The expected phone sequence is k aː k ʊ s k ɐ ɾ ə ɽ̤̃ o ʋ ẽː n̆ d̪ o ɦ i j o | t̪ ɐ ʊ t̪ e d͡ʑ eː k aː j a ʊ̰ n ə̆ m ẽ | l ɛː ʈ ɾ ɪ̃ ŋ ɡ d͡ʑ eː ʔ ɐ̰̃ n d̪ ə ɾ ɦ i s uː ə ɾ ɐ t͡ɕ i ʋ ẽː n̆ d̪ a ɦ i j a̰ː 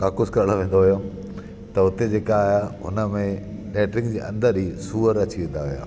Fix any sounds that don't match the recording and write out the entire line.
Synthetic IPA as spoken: k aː k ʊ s k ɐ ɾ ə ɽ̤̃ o ʋ ẽː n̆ d̪ o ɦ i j o | t̪ ɐ ʊ t̪ e d͡ʑ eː k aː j a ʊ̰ n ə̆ m ẽ | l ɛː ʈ ɾ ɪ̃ ŋ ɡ d͡ʑ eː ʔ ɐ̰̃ n d̪ ə ɾ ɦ i s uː ə ɾ ɐ t͡ɕ i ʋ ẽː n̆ d̪ a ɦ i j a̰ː